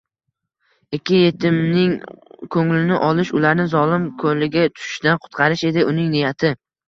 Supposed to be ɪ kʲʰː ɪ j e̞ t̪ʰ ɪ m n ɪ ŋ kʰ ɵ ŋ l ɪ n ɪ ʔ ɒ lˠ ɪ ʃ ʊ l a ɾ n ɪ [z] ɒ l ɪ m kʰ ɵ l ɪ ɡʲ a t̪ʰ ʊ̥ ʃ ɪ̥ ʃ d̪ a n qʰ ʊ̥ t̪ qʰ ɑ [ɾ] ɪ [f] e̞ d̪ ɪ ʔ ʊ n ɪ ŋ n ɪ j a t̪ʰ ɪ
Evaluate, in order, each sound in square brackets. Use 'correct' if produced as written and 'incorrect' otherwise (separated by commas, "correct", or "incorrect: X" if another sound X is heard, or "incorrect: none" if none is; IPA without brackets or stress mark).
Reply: correct, correct, incorrect: ʃ